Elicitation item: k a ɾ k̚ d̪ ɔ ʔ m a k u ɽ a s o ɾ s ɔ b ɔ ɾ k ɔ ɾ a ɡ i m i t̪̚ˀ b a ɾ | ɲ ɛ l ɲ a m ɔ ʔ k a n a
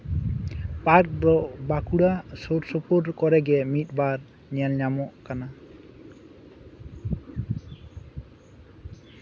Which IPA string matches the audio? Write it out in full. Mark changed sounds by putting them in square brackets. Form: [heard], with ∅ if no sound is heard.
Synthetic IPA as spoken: [p] a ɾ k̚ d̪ ɔ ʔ [b] a k u ɽ a s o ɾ s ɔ [p] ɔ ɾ k ɔ ɾ [ɛ] ɡ [ɛ] m i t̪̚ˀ b a ɾ | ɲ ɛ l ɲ a m ɔ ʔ k a n a